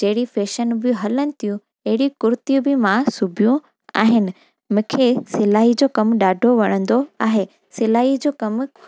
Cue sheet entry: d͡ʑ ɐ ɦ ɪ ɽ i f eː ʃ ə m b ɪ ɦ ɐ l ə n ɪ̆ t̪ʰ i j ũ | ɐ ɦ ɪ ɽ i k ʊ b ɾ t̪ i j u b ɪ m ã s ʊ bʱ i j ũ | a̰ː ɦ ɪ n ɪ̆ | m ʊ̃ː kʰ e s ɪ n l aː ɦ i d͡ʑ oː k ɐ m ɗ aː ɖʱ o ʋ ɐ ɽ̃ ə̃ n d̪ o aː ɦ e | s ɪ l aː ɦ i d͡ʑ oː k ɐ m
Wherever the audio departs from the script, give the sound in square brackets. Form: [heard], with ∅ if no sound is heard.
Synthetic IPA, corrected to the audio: d͡ʑ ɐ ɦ ɪ ɽ i f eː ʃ ə [n] b ɪ ɦ ɐ l ə n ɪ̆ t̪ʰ i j ũ | ɐ ɦ ɪ ɽ i k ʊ [∅] ɾ t̪ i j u b ɪ m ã s ʊ bʱ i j ũ | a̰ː ɦ ɪ n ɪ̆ | m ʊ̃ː kʰ e s ɪ [∅] l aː ɦ i d͡ʑ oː k ɐ m ɗ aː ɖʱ o ʋ ɐ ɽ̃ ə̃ n d̪ o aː ɦ e | s ɪ l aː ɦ i d͡ʑ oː k ɐ m